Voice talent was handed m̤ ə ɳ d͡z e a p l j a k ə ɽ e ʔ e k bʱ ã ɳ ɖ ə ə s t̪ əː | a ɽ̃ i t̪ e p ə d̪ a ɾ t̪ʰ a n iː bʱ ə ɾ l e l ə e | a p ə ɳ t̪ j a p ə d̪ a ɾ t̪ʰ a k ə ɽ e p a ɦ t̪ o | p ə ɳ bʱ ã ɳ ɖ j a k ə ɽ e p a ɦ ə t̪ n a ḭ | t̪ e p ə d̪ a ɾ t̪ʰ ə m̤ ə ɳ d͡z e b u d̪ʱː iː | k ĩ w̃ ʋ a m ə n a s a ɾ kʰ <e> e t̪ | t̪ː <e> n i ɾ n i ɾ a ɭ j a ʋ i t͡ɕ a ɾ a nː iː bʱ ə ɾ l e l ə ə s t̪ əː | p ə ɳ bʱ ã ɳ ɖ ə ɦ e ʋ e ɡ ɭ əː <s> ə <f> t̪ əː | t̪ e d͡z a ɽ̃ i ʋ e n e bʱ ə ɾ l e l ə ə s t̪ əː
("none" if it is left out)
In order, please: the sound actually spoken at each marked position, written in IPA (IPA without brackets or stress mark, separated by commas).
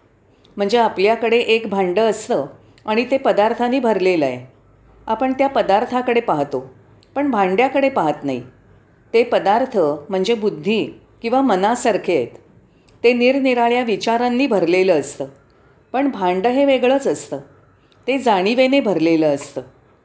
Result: e, e, t͡s, s